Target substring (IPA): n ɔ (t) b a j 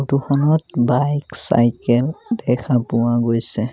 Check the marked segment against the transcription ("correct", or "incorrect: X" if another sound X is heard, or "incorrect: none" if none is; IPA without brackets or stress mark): correct